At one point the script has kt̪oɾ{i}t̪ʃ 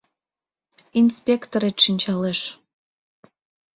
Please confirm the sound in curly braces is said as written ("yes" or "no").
no